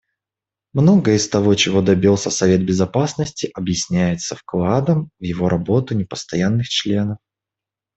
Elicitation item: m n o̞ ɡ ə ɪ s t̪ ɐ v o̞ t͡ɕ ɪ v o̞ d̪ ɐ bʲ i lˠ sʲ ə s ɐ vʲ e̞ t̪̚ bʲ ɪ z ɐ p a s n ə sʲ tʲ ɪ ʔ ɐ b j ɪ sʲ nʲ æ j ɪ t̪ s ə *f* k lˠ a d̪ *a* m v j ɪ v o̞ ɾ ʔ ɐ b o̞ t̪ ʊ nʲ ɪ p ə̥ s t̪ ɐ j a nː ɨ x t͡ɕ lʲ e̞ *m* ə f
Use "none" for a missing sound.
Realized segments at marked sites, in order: f, ə, n

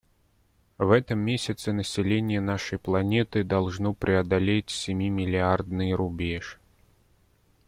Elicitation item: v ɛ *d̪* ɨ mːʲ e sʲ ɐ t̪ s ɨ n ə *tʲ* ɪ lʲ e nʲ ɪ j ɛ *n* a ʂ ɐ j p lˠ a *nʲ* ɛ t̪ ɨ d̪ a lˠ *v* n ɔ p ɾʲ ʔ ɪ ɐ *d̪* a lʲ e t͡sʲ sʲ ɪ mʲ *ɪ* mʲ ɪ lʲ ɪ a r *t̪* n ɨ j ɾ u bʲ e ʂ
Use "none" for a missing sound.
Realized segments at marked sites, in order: t̪, sʲ, n, nʲ, ʐ, d̪, i, d̪

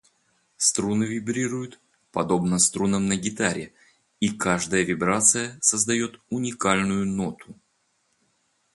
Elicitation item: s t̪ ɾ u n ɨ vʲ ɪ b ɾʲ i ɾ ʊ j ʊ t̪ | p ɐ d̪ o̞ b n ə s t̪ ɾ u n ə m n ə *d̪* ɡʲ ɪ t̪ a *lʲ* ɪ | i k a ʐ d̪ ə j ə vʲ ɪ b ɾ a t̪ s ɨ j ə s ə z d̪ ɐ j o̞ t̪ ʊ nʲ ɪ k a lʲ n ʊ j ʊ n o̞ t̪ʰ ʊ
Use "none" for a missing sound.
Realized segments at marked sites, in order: none, ɾʲ

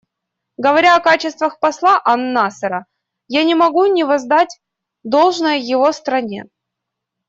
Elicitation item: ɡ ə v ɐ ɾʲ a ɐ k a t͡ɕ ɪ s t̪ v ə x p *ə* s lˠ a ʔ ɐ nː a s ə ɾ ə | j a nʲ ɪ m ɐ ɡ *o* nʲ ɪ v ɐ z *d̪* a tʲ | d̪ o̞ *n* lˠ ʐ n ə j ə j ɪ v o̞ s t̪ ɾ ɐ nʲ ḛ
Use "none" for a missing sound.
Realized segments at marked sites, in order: ɐ, u, d̪, none

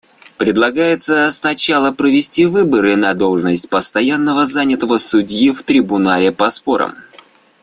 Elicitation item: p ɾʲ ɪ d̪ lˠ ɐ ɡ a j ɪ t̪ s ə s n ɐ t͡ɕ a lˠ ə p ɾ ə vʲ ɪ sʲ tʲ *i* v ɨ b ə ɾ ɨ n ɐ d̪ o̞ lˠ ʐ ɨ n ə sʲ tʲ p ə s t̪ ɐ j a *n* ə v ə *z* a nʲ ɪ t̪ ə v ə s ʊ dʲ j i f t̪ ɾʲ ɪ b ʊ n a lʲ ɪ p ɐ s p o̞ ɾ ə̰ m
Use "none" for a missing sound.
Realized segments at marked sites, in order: i, nː, z

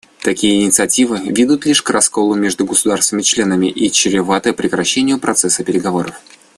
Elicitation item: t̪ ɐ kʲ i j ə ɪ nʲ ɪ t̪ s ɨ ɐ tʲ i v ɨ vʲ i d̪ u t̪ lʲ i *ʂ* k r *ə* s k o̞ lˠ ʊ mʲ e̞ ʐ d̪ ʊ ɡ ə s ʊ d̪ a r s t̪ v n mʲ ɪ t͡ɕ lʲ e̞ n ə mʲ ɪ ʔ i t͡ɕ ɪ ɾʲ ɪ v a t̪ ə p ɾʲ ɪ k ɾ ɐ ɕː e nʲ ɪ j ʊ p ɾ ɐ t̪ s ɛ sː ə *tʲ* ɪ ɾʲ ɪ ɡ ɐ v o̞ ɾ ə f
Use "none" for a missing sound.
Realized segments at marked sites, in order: ʂ, ɐ, pʲ

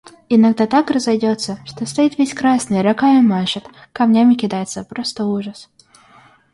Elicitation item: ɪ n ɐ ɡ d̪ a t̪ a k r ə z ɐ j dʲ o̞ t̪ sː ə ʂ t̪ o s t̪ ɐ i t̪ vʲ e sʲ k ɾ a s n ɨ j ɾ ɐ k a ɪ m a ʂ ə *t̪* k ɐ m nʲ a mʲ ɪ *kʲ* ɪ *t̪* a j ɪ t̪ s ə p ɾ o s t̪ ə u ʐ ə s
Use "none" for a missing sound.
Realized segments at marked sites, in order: t̪, kʲ, d̪

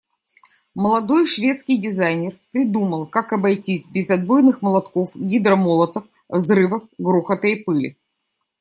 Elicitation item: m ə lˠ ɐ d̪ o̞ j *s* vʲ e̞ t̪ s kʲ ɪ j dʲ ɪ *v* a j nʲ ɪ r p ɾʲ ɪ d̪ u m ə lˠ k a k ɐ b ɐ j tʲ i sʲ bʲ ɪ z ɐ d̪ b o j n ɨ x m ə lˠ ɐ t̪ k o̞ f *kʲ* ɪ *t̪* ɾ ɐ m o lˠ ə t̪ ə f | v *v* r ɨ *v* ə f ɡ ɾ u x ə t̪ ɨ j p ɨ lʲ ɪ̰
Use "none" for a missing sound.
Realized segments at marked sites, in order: ʂ, z, ɡʲ, d̪, z, v

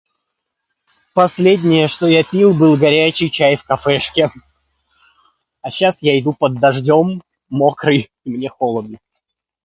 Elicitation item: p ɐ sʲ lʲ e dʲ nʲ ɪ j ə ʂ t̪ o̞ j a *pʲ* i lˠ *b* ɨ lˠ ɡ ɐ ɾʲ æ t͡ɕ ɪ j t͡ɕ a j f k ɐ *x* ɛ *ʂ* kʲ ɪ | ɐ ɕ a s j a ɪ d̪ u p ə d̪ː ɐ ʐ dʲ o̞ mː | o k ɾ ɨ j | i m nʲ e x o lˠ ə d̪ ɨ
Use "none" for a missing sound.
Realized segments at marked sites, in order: pʲ, b, f, ʂ

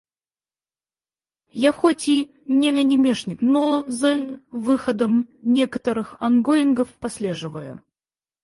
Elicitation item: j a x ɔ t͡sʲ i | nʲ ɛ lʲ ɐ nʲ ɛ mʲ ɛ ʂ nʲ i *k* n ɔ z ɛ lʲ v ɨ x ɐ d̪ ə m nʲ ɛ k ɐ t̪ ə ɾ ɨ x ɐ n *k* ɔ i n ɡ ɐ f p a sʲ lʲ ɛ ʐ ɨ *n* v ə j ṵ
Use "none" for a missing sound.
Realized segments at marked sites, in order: k, ɡ, none

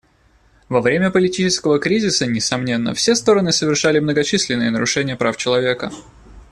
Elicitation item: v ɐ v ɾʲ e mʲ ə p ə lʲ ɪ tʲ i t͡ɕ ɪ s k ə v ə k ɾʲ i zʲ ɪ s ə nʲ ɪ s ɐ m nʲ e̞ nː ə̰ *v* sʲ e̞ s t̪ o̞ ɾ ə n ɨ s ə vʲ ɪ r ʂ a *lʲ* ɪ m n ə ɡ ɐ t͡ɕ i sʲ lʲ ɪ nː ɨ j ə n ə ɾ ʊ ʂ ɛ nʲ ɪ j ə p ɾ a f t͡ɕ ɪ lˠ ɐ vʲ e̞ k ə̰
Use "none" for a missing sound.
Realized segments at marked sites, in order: f, lʲ

